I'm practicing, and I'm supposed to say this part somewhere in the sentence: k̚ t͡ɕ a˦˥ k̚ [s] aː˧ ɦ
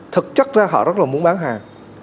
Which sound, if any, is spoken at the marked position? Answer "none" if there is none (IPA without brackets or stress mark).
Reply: z